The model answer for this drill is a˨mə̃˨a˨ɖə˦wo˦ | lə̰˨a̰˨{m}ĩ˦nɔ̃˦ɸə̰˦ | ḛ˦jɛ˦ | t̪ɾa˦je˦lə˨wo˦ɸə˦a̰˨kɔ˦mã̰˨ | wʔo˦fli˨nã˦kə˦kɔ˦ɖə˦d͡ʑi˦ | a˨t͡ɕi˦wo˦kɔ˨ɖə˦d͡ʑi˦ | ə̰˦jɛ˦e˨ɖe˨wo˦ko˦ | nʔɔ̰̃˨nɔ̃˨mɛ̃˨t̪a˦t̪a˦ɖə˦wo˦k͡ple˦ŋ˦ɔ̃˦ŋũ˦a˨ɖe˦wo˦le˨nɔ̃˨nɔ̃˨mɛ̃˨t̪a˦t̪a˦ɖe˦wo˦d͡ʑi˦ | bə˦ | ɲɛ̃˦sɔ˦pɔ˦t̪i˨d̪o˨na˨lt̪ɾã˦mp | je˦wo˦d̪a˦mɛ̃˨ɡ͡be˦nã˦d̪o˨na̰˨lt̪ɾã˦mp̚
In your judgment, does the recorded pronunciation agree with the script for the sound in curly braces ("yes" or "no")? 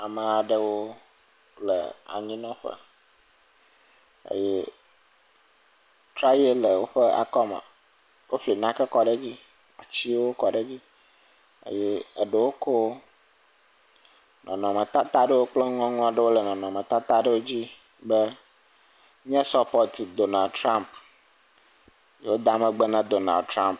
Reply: no